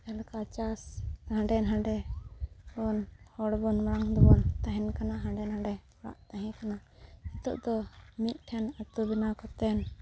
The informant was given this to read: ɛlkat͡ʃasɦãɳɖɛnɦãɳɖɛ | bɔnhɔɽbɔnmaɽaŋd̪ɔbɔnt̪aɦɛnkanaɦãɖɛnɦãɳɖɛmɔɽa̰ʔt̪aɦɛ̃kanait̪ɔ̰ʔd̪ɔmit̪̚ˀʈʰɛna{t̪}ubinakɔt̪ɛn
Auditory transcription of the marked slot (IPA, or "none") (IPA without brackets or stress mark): t̪